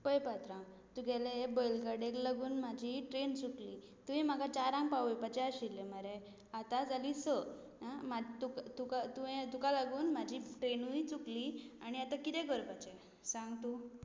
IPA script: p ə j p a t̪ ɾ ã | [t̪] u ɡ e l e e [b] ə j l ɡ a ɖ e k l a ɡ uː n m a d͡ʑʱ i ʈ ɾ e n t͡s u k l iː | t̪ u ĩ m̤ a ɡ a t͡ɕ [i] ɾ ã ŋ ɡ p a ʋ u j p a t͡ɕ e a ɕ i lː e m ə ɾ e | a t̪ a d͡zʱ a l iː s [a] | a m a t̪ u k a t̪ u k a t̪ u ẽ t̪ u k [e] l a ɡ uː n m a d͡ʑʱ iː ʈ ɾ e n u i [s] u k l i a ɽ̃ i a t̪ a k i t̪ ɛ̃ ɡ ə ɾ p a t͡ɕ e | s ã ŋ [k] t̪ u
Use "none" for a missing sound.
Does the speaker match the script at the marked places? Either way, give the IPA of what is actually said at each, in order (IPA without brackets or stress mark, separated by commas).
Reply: t̪, b, a, ə, a, t͡s, ɡ